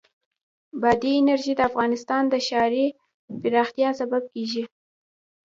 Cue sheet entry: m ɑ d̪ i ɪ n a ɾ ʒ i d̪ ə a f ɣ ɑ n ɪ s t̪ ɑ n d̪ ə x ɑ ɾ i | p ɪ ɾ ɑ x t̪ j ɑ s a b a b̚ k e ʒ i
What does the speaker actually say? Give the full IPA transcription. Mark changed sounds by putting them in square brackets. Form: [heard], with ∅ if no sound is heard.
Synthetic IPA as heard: [b] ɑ d̪ i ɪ n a ɾ ʒ i d̪ ə a f ɣ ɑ n ɪ s t̪ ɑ n d̪ ə [ʃ] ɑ ɾ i | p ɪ ɾ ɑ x t̪ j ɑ s a b a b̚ k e ʒ i

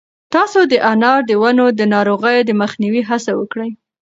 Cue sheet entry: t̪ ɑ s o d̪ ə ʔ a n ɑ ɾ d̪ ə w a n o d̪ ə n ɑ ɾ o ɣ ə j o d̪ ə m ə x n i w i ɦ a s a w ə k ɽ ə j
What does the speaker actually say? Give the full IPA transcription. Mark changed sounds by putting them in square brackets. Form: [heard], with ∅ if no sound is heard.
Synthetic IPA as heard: t̪ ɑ s o d̪ ə ʔ a n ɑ ɾ d̪ ə w a n o d̪ ə n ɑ ɾ o ɣ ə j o d̪ ə m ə x n i w i ɦ a s a w ə k ɽ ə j

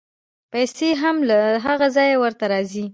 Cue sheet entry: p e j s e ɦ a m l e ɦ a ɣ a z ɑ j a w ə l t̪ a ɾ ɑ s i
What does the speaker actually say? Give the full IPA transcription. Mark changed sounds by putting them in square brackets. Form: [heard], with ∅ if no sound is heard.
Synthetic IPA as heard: p [a] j s e ɦ a m l [a] ɦ a ɣ a z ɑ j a w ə [ɾ] t̪ a ɾ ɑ [z] i

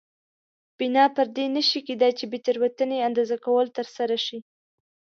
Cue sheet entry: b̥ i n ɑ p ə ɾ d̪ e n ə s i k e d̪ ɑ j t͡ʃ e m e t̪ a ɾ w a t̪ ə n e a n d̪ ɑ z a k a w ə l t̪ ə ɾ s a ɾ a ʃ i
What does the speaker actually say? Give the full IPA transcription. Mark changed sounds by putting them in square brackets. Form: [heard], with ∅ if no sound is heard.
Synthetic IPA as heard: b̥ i n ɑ p ə ɾ d̪ e n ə [ʃ] i k e d̪ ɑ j t͡ʃ e [b] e t̪ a ɾ w a t̪ ə n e a n d̪ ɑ z a k a w ə l t̪ ə ɾ s a ɾ a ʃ i

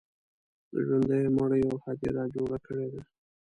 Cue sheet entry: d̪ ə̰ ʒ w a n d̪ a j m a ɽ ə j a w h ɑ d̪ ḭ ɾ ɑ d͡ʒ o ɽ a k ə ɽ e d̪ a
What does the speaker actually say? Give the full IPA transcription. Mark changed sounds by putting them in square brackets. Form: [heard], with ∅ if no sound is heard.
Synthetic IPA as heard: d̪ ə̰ ʒ w a n d̪ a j m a ɽ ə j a w h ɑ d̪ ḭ ɾ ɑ d͡ʒ o ɽ a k ə ɽ e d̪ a

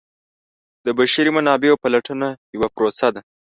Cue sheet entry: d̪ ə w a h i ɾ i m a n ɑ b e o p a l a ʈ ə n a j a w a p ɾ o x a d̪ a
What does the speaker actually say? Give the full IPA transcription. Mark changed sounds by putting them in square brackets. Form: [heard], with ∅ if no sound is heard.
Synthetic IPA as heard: d̪ ə [b] a [ʃ] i ɾ i m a n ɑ b e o p a l a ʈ ə n a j a w a p ɾ o [s] a d̪ a

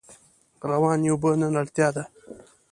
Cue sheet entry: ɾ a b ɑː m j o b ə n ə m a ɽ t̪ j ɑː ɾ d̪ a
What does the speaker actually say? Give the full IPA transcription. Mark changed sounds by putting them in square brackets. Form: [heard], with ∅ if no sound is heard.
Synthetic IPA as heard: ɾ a [w] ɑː [n] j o b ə n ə [n] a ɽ t̪ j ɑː [∅] d̪ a

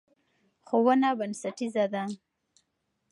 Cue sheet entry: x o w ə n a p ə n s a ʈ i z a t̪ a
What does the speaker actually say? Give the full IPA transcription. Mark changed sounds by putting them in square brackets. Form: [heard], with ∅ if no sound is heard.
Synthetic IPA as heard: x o w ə n a [b] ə n s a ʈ i z a [d̪] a

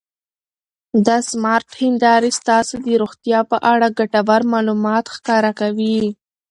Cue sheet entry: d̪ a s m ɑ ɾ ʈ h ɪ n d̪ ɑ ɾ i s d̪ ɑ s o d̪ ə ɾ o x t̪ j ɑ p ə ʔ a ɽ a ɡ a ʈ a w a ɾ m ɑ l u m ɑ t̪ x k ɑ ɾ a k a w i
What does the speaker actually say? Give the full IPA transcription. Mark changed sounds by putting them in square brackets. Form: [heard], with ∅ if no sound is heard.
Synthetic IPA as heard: d̪ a s m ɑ ɾ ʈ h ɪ n d̪ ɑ ɾ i s [t̪] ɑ s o d̪ ə ɾ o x t̪ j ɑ p ə ʔ a ɽ a ɡ a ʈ a w a ɾ m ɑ l u m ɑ t̪ x k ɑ ɾ a k a w i

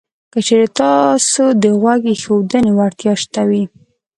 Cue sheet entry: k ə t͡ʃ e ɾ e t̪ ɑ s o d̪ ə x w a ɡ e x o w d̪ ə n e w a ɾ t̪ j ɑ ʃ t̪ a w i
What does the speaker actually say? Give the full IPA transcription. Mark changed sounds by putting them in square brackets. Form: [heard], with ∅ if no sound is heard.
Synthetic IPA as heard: k ə t͡ʃ e ɾ e t̪ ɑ s o d̪ ə [ɣ] w a ɡ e x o w d̪ ə n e w a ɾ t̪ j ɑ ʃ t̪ a w i

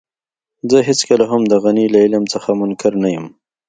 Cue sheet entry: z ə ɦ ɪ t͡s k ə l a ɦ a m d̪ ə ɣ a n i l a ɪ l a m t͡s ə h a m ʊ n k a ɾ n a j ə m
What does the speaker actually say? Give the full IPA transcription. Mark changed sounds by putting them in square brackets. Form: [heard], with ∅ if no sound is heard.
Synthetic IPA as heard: z ə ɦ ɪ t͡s k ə l a ɦ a m d̪ ə ɣ a n i l a ɪ l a m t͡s ə [x] a m ʊ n k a ɾ n a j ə m

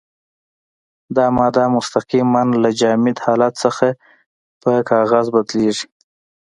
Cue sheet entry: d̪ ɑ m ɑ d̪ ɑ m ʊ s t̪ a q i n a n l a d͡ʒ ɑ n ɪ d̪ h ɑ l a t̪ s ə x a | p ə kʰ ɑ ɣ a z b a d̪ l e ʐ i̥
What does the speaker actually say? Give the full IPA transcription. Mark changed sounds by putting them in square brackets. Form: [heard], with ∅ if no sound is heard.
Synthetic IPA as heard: d̪ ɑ m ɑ d̪ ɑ m ʊ s t̪ a q i [m] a n l a d͡ʒ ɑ [m] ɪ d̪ h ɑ l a t̪ s ə x a | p ə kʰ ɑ ɣ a z b a d̪ l e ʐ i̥

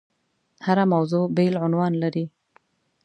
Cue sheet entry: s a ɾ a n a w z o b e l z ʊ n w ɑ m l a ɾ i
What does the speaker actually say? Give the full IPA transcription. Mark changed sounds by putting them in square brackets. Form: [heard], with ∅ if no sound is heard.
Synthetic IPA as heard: [h] a ɾ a [m] a w z o b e l [ʕ] ʊ n w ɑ [n] l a ɾ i

